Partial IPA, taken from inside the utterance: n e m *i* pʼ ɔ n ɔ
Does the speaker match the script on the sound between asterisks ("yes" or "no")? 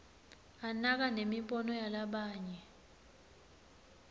yes